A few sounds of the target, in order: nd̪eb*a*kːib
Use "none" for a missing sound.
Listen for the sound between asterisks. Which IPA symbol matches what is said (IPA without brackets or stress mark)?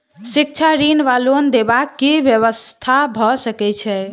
a